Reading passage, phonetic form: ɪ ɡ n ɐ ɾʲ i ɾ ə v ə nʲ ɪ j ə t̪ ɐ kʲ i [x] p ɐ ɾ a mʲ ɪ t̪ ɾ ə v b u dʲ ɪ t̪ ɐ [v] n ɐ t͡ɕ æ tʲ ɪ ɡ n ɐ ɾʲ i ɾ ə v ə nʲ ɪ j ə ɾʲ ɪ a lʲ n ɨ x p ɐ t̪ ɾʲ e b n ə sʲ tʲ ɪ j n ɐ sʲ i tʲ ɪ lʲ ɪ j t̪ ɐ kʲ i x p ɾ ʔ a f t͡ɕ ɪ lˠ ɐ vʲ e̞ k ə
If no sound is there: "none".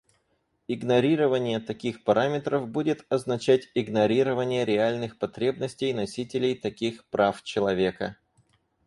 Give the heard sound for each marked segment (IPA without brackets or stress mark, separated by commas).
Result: x, z